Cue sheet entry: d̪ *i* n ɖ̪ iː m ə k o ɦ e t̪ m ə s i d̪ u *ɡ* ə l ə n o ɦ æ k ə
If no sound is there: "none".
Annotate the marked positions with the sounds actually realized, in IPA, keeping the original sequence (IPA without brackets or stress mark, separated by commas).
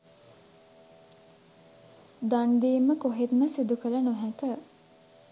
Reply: a, k